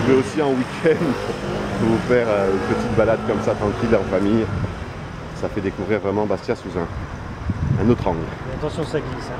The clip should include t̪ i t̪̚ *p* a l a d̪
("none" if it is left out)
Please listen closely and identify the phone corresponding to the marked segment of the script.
b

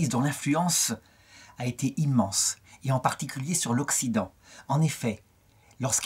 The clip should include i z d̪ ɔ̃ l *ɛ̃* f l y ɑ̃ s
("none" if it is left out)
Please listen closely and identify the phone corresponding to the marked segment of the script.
ɛ̃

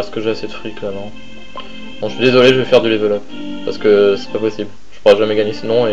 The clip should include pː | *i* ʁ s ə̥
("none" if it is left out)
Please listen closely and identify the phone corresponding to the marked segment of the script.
a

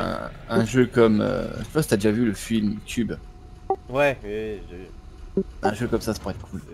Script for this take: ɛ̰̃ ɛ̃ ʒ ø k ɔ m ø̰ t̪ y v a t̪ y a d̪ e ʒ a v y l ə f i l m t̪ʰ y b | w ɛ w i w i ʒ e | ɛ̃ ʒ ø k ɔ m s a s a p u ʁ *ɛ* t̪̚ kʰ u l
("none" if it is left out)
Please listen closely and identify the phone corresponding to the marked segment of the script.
ɛ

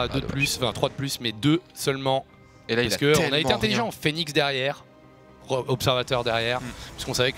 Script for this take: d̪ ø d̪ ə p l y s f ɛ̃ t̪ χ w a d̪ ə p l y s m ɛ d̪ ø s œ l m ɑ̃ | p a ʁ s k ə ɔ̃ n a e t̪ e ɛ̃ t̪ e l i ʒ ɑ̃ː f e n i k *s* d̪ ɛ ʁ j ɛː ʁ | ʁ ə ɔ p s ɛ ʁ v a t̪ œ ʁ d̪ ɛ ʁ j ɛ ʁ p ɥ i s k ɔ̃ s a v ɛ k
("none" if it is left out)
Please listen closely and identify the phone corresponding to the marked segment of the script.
s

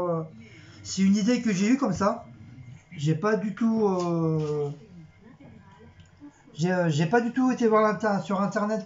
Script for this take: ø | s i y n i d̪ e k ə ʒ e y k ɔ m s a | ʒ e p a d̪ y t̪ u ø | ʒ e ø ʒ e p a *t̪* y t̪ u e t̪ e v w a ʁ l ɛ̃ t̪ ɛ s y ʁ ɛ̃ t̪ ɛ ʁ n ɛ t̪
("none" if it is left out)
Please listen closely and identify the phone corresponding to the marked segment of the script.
d̪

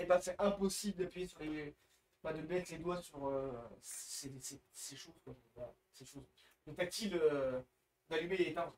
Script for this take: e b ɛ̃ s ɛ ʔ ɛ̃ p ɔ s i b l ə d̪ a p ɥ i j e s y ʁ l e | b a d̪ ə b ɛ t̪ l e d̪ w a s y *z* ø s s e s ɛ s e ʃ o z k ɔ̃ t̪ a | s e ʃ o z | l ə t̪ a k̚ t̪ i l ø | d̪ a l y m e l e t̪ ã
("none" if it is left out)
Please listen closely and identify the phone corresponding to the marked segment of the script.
ʁ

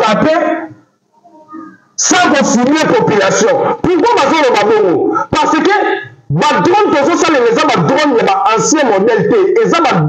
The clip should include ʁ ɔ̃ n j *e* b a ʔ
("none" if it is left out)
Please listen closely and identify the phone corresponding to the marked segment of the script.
a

